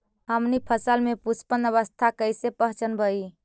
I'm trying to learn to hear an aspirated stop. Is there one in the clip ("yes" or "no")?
yes